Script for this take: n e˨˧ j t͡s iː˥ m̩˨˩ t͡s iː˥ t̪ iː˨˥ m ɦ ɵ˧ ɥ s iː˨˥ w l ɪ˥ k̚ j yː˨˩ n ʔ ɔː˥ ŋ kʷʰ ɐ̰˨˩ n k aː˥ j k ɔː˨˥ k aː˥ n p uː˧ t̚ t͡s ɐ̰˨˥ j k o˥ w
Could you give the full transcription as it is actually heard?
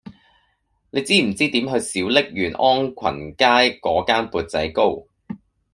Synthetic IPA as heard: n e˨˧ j t͡s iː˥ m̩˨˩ t͡s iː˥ t̪ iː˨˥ m ɦ ɵ˧ ɥ s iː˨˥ w l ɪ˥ k̚ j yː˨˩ n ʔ ɔː˥ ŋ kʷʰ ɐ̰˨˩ n k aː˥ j k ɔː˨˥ k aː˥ n p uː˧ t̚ t͡s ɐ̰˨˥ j k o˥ w